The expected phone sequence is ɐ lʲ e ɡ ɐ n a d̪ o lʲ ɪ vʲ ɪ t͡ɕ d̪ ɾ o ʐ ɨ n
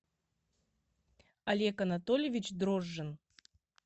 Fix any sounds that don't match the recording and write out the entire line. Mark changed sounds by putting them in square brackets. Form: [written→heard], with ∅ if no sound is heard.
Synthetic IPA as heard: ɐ lʲ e [ɡ→k] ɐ n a [d̪→t̪] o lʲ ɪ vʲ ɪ t͡ɕ d̪ ɾ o [ʐ→ʐː] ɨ n